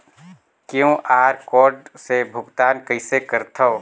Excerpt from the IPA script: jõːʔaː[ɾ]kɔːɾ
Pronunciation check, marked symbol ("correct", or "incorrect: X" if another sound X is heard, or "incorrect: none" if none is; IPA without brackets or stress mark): correct